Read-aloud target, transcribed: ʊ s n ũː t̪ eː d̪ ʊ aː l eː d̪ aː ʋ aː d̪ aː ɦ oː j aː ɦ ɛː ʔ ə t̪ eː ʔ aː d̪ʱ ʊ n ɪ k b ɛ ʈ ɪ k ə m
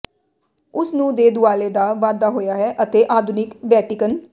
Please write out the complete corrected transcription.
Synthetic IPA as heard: ʊ s n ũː d̪ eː d̪ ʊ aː l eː d̪ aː ʋ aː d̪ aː ɦ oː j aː ɦ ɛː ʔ ə t̪ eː ʔ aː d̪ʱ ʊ n ɪ k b ɛː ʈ ɪ k ə n